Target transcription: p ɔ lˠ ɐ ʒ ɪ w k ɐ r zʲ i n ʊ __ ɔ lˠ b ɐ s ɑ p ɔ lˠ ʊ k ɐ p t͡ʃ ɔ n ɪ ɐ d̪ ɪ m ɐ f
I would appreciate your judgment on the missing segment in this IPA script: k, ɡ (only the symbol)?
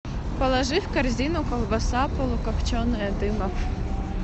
k